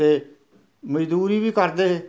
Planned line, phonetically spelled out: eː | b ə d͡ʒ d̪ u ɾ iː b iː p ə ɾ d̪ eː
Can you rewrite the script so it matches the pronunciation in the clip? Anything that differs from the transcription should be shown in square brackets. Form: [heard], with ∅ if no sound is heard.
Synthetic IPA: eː | [m] ə d͡ʒ d̪ [uː] ɾ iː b iː [k] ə ɾ d̪ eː